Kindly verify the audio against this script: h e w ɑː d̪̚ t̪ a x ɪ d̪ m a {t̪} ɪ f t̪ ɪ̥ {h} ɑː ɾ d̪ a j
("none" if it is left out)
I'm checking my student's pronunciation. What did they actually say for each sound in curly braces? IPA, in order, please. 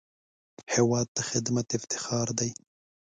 t̪, x

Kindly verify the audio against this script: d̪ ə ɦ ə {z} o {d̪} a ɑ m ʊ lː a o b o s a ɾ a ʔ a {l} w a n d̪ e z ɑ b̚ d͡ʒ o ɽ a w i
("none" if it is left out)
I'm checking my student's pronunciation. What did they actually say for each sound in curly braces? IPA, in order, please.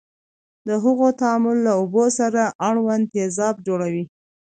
ɣ, t̪, ɽ

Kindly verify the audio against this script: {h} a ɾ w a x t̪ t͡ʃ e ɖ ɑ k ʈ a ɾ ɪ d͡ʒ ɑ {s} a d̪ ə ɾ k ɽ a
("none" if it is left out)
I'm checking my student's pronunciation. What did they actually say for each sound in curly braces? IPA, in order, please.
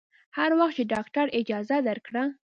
h, z

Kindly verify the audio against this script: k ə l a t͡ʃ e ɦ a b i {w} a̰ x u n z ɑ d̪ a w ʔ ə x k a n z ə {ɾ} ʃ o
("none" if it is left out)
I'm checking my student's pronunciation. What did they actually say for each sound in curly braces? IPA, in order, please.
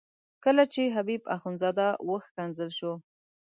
b, l

